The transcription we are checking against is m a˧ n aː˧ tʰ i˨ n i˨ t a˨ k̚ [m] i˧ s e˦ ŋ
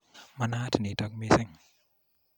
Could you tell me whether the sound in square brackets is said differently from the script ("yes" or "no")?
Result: no